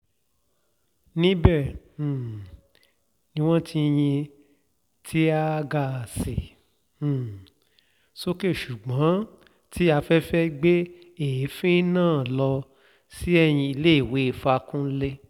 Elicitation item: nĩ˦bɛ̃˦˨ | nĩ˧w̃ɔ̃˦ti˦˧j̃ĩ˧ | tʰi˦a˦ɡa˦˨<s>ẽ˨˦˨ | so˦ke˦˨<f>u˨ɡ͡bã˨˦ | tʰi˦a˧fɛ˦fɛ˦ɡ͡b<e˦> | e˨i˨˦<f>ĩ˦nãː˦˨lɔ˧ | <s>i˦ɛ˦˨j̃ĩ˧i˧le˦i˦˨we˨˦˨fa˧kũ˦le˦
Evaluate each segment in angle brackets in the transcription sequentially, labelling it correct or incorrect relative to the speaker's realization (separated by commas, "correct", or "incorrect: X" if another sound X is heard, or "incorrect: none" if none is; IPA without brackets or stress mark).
correct, incorrect: ʃ, correct, correct, correct